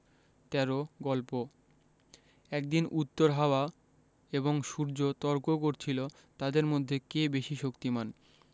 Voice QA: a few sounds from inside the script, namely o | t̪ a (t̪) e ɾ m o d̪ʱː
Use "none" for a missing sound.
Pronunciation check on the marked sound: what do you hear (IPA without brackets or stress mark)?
d̪